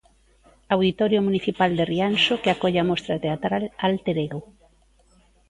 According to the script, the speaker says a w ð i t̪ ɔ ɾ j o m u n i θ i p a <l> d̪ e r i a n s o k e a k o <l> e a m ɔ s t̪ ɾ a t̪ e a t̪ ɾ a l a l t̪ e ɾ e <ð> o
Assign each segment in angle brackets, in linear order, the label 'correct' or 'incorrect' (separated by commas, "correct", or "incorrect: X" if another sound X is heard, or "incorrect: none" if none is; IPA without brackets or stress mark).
correct, incorrect: ʎ, incorrect: ɣ